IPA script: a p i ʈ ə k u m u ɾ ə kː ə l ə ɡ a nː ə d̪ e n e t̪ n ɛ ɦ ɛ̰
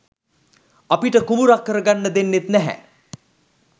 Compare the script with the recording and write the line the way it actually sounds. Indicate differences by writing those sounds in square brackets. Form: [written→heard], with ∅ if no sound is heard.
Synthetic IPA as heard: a p i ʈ ə k u m u ɾ [ə→a] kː ə [l→ɾ] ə ɡ a nː ə d̪ e [n→nː] e t̪ n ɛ ɦ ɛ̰